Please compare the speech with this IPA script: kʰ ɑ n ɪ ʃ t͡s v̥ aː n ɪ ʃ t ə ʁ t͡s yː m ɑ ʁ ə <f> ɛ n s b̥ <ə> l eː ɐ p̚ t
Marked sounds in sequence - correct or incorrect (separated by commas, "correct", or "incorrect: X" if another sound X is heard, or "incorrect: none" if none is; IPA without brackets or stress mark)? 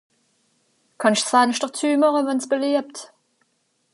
incorrect: v, correct